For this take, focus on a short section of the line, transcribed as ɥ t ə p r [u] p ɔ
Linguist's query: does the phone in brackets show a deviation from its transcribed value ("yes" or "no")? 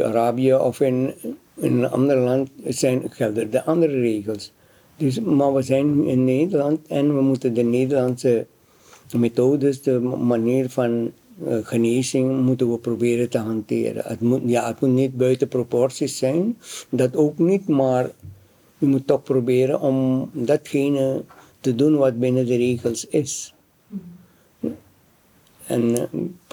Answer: yes